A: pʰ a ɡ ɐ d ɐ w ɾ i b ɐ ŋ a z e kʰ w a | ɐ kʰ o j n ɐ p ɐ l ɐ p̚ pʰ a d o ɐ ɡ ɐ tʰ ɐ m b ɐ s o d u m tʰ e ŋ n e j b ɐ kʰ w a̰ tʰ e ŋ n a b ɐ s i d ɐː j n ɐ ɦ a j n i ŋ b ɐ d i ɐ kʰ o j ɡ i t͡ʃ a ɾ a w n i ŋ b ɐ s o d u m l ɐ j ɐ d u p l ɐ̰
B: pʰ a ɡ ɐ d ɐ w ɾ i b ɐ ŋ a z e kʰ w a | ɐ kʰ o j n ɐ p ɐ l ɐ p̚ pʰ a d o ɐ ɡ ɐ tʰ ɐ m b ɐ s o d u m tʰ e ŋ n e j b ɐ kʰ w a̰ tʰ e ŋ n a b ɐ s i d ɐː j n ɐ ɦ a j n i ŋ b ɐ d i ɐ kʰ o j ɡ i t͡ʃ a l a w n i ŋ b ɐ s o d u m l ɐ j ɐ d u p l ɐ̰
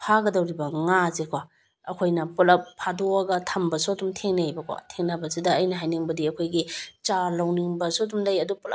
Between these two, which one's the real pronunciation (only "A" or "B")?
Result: B